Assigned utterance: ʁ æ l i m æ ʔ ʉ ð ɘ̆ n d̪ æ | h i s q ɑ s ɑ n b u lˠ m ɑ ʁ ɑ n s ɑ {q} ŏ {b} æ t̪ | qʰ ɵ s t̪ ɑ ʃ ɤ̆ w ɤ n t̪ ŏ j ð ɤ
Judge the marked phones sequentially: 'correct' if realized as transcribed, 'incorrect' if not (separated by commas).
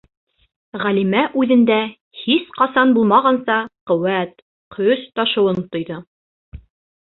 correct, incorrect